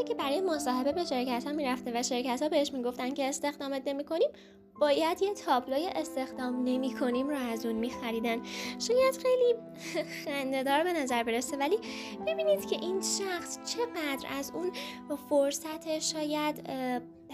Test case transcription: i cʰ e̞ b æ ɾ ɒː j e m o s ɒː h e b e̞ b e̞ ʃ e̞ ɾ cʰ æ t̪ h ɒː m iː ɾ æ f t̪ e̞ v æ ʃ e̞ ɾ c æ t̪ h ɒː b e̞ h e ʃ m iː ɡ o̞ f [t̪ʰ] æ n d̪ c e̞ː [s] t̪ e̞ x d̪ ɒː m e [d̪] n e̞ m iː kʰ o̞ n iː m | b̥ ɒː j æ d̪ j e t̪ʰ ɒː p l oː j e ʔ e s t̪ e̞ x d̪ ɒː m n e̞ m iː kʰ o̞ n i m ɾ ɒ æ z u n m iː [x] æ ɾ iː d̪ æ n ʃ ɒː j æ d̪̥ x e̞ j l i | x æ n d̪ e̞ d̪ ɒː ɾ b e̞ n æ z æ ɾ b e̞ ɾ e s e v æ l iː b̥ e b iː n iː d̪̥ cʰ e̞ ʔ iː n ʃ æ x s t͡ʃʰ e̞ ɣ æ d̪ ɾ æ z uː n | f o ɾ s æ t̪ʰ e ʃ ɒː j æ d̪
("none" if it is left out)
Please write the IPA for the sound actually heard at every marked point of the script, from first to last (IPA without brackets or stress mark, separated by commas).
t̪, s, t̪, x